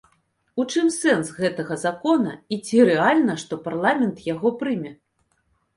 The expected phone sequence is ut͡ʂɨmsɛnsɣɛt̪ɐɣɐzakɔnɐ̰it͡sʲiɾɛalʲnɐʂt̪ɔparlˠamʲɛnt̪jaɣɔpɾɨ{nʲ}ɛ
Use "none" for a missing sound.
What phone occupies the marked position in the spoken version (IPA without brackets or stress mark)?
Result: mʲ